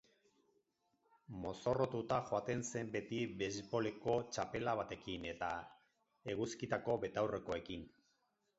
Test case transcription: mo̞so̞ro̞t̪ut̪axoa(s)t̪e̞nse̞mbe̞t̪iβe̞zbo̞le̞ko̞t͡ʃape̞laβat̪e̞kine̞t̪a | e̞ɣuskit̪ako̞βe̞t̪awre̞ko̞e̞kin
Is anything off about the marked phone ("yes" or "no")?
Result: yes